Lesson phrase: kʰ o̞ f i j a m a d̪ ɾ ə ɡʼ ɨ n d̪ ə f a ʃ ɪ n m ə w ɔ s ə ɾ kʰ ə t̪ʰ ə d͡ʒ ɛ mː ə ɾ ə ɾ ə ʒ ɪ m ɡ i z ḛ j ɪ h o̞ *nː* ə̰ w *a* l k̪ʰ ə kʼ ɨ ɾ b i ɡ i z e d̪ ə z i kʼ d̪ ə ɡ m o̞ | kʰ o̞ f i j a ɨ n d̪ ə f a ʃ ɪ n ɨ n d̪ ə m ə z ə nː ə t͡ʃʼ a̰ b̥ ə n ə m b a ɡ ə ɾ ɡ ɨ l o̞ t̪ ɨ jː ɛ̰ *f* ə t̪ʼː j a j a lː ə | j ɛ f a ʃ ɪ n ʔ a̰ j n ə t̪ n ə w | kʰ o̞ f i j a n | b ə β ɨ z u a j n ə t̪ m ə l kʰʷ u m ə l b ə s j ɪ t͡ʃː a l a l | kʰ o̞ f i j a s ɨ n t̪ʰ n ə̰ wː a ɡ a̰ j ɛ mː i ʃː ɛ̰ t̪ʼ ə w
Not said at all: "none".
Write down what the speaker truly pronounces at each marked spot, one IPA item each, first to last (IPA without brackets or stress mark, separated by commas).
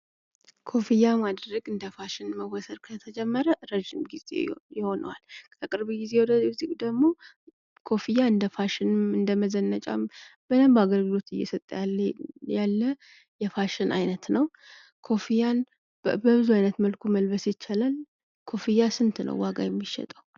n, a, s